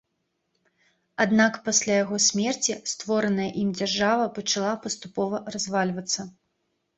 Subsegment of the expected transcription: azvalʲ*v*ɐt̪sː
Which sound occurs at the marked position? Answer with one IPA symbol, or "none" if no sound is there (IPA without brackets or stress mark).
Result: v